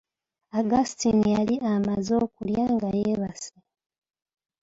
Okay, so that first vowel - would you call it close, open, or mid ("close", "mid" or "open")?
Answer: open